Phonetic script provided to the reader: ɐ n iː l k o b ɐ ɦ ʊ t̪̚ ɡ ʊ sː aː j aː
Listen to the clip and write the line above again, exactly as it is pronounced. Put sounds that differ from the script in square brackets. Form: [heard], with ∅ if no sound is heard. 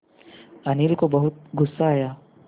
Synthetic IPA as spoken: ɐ n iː l k o b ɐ ɦ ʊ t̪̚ ɡ ʊ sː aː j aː